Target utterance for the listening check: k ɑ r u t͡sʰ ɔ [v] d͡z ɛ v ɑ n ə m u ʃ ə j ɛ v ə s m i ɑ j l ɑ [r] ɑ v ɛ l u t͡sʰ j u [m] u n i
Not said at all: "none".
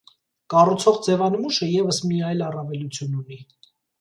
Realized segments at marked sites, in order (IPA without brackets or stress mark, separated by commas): ʁ, r, n